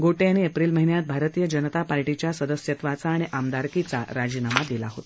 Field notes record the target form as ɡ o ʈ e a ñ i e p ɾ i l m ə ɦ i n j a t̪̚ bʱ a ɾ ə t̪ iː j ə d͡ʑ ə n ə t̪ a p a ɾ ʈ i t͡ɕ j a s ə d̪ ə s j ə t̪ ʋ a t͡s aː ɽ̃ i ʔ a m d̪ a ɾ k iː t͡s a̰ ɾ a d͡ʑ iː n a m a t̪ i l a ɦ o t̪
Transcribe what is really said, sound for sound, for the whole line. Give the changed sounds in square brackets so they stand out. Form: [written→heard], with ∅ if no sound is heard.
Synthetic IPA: ɡ o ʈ e a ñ i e p ɾ i l m ə ɦ i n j a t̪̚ bʱ a ɾ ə t̪ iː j ə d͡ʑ ə n ə t̪ a p a ɾ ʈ i t͡ɕ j a s ə d̪ ə s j ə t̪ ʋ a t͡s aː ɽ̃ i ʔ a m d̪ a ɾ k [iː→i] t͡s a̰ ɾ a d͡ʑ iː n a m a [t̪→d̪] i l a ɦ o t̪